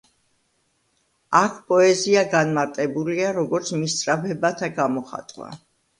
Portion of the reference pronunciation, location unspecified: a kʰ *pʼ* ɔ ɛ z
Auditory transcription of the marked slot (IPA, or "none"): pʼ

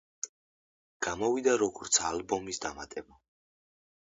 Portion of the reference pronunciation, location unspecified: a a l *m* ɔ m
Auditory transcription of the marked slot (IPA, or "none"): b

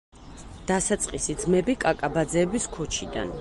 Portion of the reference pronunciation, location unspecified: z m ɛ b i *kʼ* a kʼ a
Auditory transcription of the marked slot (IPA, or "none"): kʼ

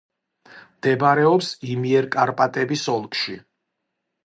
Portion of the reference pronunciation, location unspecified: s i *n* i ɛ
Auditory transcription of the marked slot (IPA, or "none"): m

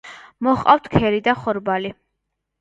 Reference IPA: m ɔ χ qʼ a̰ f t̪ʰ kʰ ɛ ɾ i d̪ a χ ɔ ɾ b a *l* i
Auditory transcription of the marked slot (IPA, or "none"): l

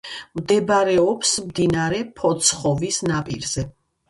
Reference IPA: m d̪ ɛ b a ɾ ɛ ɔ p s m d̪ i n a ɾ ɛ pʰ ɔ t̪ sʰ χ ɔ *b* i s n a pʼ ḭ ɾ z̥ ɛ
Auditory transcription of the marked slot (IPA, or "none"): v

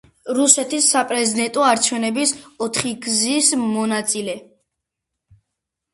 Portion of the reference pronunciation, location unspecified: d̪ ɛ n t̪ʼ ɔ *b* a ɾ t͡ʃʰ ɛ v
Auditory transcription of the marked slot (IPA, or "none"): none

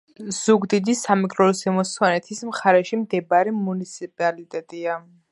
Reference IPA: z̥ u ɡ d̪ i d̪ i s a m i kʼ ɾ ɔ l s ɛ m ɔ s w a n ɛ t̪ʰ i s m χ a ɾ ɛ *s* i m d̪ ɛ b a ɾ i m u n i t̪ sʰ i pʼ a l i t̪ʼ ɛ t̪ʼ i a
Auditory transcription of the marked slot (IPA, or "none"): ʃ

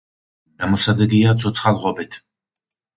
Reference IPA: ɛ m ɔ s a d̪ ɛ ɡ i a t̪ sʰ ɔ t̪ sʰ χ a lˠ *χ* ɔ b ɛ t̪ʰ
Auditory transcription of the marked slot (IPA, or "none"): ʁ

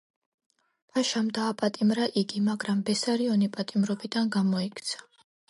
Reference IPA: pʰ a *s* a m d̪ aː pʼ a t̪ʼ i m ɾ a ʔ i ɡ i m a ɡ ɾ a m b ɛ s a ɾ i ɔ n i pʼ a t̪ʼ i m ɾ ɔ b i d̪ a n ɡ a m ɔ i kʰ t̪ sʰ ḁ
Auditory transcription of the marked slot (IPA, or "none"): ʃ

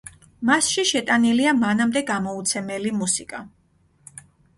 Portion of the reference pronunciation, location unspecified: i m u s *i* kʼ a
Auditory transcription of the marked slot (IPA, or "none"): i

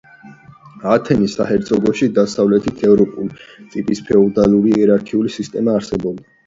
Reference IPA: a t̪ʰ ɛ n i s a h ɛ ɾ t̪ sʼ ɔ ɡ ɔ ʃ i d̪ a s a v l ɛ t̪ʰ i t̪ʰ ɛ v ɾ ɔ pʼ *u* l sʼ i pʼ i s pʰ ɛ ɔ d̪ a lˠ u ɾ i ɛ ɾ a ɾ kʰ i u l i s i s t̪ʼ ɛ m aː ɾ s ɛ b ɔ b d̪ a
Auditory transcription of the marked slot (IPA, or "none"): u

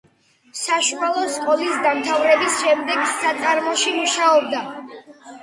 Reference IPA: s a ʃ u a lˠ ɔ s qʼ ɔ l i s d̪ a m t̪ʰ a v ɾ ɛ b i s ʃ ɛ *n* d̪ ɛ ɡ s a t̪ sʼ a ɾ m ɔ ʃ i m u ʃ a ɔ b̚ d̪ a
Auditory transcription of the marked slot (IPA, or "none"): m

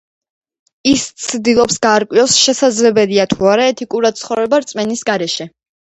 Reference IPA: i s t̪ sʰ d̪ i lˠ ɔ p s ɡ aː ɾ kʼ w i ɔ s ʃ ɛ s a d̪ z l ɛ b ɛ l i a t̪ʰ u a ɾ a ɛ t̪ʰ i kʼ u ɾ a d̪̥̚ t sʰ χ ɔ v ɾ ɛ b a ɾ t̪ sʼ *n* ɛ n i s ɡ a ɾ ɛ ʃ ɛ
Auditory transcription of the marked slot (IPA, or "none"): m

